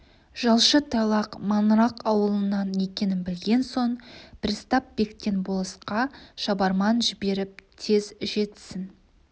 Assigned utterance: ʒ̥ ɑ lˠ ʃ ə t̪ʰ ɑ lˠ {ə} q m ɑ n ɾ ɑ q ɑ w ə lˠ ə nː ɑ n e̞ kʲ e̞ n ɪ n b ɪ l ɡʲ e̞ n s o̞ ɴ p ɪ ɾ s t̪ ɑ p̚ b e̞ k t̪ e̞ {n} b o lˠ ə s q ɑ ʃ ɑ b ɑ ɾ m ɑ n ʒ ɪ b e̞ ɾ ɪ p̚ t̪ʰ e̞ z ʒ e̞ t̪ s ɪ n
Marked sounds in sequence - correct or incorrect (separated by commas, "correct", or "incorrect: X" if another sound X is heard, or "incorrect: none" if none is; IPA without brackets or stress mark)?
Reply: incorrect: ɑ, correct